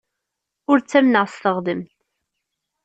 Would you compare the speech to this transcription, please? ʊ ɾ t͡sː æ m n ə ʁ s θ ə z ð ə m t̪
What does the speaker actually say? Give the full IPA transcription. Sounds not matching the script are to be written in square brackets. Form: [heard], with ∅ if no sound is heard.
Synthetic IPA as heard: ʊ ɾ t͡sː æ m n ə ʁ s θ ə [ʁ] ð ə m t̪